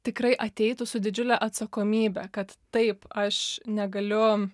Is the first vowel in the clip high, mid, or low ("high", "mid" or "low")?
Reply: high